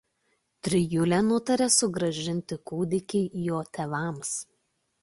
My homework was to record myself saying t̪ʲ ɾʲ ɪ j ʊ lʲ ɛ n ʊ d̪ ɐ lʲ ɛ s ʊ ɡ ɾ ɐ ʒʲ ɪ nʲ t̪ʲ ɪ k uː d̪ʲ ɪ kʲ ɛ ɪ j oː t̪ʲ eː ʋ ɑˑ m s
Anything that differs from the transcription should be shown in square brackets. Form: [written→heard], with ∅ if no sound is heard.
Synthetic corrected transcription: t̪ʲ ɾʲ ɪ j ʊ lʲ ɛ n ʊ [d̪→t̪] ɐ [lʲ→ɾʲ] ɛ s ʊ ɡ ɾ ɐ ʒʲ ɪ nʲ t̪ʲ ɪ k uː d̪ʲ ɪ kʲ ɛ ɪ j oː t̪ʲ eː ʋ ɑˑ m s